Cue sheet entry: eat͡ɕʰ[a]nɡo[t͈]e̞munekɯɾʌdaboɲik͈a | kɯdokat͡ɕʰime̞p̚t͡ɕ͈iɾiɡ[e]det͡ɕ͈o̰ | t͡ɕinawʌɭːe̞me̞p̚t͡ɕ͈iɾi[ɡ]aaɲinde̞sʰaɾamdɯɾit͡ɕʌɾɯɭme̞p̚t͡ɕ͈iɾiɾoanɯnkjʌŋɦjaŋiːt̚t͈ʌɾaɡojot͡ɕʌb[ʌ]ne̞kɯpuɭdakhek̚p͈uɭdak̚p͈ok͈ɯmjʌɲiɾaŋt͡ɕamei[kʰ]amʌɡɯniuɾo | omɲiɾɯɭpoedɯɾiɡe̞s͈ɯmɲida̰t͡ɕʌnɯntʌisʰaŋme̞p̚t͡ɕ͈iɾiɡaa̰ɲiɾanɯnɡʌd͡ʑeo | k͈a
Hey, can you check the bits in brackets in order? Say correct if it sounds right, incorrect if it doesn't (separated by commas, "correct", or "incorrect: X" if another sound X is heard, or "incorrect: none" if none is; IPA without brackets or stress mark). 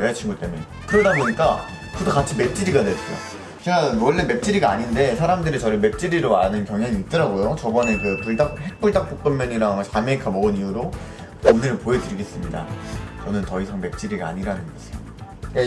incorrect: i, correct, incorrect: a, correct, correct, correct